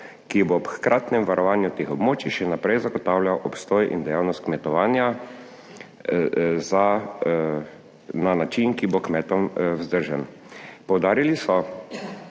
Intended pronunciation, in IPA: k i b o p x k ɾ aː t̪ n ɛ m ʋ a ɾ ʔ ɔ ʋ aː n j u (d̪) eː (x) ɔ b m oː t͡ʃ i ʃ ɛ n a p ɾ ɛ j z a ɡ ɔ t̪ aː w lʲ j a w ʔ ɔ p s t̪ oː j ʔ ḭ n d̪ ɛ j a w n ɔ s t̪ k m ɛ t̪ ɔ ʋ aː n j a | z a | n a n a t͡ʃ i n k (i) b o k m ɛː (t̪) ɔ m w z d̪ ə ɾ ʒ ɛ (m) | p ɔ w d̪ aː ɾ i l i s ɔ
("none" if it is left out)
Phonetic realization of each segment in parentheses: t̪, x, i, t̪, n

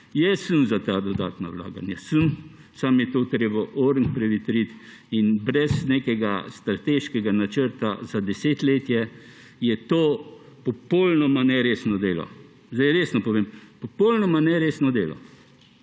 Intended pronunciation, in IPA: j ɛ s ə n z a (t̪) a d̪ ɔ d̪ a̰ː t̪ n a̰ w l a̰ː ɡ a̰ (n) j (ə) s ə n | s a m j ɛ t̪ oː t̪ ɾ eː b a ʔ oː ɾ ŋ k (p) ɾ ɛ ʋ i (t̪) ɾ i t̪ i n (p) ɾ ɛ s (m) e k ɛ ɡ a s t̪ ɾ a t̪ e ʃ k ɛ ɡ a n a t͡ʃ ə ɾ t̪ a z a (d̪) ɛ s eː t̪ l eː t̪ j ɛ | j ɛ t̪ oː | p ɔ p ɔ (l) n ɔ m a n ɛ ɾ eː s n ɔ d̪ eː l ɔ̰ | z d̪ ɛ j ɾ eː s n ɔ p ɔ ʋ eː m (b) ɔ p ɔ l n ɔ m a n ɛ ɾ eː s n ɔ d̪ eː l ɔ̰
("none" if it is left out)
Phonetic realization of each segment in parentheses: t̪, n, a, p, t̪, b, n, d̪, l, p

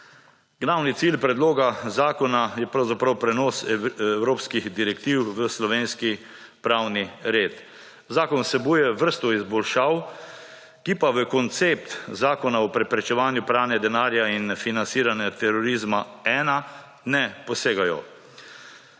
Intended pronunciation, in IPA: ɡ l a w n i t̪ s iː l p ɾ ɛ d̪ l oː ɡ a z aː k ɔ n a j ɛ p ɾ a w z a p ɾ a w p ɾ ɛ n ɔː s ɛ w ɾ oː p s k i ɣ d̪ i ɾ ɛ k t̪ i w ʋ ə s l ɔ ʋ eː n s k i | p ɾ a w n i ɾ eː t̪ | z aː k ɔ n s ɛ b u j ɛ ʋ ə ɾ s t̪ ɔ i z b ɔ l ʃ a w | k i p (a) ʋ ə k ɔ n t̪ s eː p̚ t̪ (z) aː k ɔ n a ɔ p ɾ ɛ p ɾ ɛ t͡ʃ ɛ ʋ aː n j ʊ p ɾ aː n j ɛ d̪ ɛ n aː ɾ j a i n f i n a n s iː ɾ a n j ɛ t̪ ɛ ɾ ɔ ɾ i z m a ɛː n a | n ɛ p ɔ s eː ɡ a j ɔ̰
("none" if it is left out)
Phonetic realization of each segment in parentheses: a, z

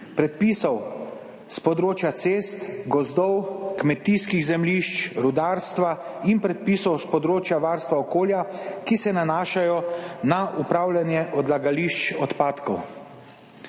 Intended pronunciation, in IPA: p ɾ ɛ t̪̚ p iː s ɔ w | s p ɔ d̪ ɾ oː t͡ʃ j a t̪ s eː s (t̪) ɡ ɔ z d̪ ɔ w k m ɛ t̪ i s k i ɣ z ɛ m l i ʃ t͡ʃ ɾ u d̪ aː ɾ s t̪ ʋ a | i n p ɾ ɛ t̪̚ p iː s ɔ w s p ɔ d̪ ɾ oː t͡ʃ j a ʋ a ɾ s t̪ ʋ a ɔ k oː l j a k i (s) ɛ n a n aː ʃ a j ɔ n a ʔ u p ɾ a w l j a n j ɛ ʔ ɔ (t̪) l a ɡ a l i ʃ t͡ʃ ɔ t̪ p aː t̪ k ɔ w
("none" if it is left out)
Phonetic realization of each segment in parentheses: t̪, s, d̪

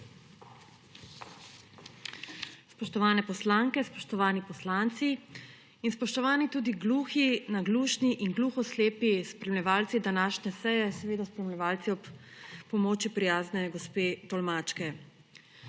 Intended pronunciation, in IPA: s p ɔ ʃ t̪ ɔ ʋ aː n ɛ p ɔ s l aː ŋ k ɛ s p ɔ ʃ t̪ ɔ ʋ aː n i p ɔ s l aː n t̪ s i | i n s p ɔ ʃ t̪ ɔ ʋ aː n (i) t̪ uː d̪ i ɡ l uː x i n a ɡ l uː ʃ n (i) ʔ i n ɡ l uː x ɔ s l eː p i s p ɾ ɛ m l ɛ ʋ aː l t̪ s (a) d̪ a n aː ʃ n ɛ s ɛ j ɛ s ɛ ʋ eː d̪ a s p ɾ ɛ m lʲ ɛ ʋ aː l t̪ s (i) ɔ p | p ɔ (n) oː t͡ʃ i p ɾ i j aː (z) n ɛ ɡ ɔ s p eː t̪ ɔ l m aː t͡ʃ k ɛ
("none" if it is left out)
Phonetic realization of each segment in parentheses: i, i, i, i, m, z

